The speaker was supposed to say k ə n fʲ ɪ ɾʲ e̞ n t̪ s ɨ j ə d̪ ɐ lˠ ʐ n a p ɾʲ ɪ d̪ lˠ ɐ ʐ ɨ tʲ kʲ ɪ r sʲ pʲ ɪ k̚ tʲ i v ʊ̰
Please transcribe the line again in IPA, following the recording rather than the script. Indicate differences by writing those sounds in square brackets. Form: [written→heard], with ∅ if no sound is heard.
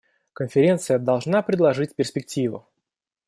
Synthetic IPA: k ə n fʲ ɪ ɾʲ e̞ n t̪ s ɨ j ə d̪ ɐ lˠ ʐ n a p ɾʲ ɪ d̪ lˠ ɐ ʐ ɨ tʲ [kʲ→pʲ] ɪ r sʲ pʲ ɪ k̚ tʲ i v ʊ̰